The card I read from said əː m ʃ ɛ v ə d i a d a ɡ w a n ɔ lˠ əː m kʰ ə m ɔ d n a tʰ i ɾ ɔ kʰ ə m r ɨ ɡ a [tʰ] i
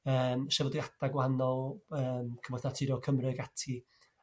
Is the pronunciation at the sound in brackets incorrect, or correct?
correct